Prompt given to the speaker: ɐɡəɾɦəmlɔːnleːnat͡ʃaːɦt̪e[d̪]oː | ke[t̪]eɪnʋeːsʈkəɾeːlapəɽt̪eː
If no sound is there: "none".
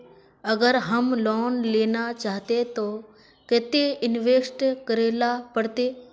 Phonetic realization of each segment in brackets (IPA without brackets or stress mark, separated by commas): t̪, t̪